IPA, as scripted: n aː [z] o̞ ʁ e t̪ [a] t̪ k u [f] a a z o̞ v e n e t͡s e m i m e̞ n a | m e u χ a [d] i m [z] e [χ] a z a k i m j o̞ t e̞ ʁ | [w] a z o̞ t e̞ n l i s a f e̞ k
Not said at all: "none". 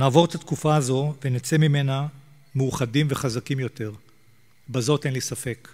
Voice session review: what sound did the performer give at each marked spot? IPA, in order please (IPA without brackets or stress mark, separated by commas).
v, a, f, d, v, χ, b